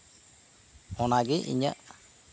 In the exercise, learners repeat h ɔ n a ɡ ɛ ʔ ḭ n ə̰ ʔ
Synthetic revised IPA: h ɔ n a ɡ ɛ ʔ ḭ ɲ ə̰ ʔ